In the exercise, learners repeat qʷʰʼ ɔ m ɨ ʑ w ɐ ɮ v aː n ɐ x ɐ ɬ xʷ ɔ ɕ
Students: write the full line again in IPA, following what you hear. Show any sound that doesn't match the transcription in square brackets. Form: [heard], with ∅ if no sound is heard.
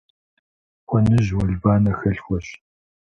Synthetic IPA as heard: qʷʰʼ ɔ [n] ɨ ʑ w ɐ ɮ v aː n ɐ x ɐ ɬ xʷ ɔ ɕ